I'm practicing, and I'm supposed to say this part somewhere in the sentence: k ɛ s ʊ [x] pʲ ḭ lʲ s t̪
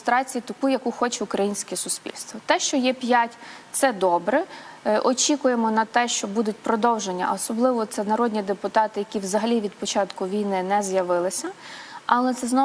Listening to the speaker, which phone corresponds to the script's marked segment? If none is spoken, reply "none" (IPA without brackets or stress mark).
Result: s